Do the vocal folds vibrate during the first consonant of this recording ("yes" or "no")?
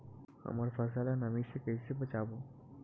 yes